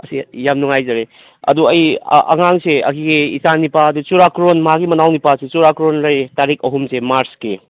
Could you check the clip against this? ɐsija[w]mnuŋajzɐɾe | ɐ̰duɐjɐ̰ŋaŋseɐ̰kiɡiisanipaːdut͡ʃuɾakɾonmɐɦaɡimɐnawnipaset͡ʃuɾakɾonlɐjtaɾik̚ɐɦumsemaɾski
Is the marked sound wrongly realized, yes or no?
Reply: yes